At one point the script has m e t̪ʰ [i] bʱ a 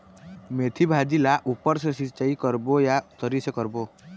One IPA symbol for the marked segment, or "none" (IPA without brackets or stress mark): i